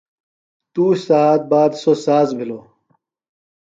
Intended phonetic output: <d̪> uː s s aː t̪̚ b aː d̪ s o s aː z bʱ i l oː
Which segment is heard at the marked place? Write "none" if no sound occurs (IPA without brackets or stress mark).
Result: t̪